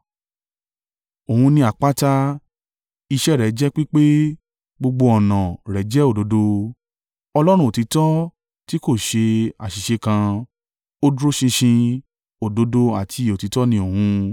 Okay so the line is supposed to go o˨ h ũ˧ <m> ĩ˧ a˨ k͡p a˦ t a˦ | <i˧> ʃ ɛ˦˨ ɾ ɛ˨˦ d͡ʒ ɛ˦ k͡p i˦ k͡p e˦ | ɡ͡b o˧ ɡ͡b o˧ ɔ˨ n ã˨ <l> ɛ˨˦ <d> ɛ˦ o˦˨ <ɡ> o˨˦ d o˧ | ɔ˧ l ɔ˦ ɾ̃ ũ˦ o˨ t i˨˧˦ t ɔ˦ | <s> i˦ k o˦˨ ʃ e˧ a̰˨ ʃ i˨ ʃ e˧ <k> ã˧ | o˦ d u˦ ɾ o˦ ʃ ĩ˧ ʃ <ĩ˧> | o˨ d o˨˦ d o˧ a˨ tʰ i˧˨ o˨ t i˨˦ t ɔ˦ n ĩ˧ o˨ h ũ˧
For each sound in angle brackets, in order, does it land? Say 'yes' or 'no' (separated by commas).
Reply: no, yes, no, no, no, no, yes, yes